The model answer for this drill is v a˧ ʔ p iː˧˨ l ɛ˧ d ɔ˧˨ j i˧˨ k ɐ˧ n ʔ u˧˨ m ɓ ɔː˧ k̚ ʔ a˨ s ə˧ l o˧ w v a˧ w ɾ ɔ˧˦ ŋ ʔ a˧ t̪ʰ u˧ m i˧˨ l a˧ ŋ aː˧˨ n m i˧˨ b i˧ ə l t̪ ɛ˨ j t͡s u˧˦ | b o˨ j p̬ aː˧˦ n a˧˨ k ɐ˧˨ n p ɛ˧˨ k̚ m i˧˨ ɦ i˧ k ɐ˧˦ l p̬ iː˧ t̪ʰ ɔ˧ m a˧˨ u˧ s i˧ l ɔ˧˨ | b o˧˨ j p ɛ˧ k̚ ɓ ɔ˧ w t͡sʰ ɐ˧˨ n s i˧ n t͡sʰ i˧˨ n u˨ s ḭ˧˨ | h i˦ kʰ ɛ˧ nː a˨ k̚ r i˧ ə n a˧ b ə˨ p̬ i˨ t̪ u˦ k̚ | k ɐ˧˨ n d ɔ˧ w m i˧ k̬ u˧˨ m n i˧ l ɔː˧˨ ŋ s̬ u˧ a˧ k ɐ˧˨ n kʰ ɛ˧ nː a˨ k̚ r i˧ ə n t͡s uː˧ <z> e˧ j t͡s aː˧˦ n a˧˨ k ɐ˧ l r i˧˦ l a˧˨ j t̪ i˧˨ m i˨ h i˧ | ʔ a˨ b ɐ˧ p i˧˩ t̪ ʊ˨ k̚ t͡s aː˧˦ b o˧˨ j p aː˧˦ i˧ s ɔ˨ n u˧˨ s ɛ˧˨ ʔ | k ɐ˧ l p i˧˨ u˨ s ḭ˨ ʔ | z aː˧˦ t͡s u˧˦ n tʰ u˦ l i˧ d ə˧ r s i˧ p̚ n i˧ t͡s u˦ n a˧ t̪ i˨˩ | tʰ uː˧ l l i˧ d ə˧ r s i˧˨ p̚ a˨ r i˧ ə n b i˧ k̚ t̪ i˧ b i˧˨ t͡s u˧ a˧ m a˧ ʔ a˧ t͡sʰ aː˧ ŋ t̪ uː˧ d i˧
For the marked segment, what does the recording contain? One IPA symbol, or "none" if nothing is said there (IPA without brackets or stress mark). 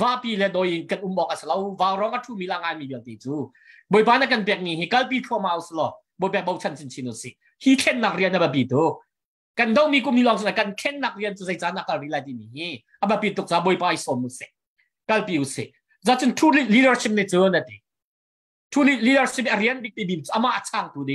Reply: z